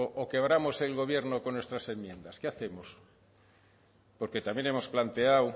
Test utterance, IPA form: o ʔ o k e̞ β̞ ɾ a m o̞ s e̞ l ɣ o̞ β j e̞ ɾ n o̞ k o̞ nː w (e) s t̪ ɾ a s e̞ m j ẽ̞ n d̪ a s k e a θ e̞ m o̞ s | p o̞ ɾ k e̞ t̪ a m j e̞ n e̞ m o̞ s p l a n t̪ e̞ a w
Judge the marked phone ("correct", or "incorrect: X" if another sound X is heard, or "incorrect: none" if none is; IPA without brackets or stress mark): correct